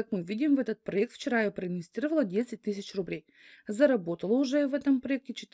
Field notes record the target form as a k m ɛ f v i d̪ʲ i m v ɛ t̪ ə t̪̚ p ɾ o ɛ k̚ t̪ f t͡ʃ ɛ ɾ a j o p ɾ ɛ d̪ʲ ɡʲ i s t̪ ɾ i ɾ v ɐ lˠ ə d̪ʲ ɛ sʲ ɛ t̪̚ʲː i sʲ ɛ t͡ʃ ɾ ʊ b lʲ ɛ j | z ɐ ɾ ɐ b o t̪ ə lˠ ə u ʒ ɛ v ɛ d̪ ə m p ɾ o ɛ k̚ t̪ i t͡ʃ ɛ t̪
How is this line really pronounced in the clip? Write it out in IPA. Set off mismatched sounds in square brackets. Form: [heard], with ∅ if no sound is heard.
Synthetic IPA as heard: a k m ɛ [∅] v i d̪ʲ i m v ɛ t̪ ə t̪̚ p ɾ o ɛ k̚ t̪ f t͡ʃ ɛ ɾ a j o p ɾ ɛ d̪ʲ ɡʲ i s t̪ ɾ i ɾ v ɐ lˠ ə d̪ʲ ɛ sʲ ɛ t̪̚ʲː i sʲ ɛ t͡ʃ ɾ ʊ b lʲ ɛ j | z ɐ ɾ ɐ b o t̪ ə lˠ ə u ʒ ɛ v ɛ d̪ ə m p ɾ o ɛ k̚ t̪ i t͡ʃ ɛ t̪